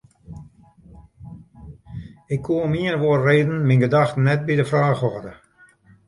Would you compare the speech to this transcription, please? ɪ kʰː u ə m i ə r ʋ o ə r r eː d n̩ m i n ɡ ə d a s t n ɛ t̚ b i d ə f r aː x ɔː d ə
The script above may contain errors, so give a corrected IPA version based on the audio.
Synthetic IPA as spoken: ɪ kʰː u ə m i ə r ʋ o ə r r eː d n̩ m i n ɡ ə d a x t n ɛ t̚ b i d ə f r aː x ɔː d ə